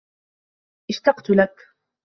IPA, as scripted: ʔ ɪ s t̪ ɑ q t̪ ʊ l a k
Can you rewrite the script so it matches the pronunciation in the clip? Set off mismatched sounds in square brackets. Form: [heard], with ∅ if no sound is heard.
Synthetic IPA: ʔ ɪ [ʃ] t̪ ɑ q t̪ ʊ l a k